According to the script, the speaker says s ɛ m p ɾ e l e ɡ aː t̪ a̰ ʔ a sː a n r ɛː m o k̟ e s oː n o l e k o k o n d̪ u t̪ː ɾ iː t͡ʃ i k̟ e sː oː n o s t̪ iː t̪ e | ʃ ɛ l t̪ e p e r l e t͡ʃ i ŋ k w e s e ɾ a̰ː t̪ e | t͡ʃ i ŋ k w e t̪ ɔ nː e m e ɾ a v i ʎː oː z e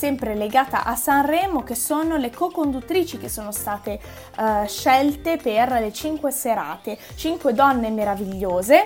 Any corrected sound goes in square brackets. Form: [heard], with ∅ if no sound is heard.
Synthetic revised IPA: s ɛ m p ɾ e l e ɡ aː t̪ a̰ ʔ a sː a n r ɛː m o k̟ e s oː n o l e k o k o n d̪ u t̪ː ɾ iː t͡ʃ i k̟ e sː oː n o s t̪ [aː] t̪ e | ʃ ɛ l t̪ e p e r l e t͡ʃ i ŋ k w e s e ɾ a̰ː t̪ e | t͡ʃ i ŋ k w e [d̪] ɔ nː e m e ɾ a v i ʎː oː z e